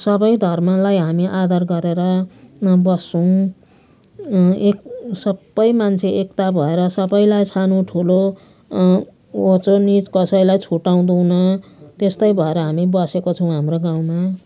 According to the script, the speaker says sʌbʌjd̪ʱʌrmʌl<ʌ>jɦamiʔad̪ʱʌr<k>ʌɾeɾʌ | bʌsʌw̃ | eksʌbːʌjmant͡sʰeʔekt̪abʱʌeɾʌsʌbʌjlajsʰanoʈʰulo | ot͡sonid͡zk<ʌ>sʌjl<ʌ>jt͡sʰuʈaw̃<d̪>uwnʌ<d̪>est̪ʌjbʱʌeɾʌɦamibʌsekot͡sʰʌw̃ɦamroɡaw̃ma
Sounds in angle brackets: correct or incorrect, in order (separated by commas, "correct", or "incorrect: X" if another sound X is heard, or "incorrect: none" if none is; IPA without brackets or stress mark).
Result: incorrect: a, incorrect: ɡ, correct, incorrect: a, correct, incorrect: t̪